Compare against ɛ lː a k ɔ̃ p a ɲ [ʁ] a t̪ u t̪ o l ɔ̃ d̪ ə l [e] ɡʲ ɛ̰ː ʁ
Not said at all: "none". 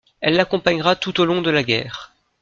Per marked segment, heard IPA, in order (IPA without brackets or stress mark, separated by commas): ʁ, a